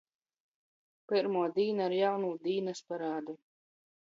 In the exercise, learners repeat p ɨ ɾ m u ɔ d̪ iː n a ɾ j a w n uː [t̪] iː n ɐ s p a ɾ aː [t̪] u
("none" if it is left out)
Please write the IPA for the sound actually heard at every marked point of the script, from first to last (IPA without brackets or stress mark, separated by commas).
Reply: d̪, d̪